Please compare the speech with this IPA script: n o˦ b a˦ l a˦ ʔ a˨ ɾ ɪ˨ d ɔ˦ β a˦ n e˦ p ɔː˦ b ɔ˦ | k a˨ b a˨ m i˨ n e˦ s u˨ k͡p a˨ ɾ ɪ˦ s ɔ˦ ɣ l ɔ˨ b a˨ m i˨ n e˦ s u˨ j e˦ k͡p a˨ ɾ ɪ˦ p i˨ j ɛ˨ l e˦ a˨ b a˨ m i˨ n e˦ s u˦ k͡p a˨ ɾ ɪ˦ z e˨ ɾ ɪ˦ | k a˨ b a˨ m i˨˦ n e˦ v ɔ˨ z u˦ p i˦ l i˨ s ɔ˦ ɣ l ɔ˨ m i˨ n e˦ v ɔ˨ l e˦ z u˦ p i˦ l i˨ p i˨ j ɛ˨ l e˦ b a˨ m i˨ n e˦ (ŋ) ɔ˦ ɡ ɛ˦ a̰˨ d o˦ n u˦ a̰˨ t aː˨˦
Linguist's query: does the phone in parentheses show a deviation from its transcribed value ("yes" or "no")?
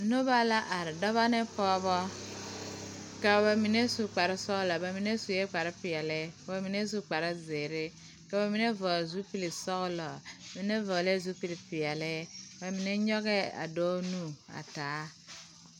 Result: yes